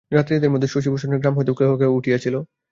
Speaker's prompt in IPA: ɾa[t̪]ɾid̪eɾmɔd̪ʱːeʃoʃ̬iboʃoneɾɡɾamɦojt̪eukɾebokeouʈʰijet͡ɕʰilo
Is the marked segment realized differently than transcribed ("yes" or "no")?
no